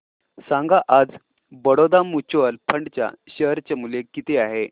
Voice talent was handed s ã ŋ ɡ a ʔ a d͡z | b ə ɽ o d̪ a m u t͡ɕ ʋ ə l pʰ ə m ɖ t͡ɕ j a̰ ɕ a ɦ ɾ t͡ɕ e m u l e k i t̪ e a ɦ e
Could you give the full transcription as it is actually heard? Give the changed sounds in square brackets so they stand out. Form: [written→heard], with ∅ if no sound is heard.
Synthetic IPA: s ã ŋ ɡ a ʔ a d͡z | b ə ɽ o d̪ a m u t͡ɕ ʋ ə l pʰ ə [m→ɳ] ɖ t͡ɕ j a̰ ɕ [a→ə] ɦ ɾ t͡ɕ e m u l e k i t̪ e a ɦ e